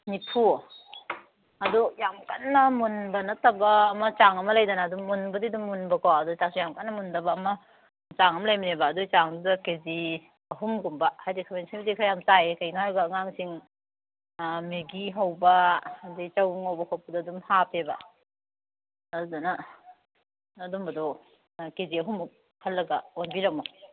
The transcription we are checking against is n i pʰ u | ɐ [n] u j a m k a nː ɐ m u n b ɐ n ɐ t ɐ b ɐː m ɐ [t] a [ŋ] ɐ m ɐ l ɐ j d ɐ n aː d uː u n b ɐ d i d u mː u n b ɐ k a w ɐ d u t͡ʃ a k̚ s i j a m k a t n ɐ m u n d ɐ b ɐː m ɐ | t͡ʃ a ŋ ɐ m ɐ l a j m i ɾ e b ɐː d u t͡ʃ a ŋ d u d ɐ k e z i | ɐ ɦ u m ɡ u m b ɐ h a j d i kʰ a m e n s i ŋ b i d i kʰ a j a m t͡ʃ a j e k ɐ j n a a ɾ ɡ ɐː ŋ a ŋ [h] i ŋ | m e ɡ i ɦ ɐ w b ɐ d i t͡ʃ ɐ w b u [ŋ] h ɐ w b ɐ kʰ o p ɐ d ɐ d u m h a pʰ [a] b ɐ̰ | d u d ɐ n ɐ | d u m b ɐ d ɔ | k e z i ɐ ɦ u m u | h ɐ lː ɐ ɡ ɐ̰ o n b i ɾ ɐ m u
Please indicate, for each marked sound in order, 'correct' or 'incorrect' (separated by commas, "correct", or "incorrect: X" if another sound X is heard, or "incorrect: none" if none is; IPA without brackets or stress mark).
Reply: incorrect: d, incorrect: t͡ʃ, correct, incorrect: s, correct, incorrect: e